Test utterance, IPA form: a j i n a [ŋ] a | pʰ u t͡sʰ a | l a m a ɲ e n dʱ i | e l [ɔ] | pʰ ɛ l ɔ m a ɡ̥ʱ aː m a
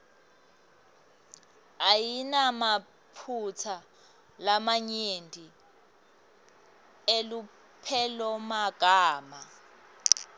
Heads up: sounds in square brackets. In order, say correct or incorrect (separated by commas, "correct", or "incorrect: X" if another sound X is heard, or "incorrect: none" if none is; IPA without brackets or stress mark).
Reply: incorrect: m, incorrect: u